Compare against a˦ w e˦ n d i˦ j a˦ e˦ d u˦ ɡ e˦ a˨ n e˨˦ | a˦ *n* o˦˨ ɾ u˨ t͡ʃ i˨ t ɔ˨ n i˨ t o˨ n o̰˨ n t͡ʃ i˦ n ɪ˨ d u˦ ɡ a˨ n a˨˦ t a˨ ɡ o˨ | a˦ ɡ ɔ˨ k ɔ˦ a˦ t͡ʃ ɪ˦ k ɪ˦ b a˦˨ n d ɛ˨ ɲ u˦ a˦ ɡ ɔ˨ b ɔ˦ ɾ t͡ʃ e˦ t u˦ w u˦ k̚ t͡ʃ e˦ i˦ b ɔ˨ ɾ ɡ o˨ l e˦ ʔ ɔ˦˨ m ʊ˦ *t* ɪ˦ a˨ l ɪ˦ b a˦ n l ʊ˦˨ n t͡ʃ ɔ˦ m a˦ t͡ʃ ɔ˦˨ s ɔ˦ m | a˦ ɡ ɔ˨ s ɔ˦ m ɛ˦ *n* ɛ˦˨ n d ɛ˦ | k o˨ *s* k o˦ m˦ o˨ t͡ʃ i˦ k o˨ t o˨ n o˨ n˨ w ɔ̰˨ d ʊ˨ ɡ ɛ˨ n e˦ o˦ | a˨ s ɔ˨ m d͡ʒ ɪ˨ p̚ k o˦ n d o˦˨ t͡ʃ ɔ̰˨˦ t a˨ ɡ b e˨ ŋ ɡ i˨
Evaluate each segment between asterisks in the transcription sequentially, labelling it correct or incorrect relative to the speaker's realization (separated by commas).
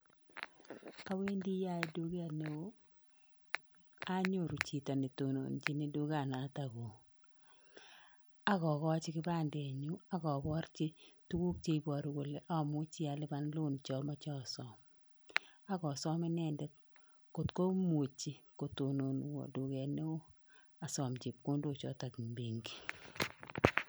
incorrect, incorrect, correct, incorrect